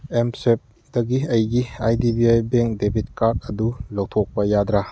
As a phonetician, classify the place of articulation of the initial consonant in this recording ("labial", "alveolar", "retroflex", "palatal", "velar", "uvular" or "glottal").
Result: labial